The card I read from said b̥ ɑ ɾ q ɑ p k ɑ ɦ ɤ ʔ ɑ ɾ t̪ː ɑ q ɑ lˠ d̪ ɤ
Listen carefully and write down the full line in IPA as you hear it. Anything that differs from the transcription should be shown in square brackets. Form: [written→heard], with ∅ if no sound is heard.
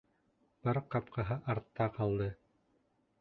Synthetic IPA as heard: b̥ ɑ ɾ q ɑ p [k→q] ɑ ɦ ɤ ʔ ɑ ɾ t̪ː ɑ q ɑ lˠ d̪ ɤ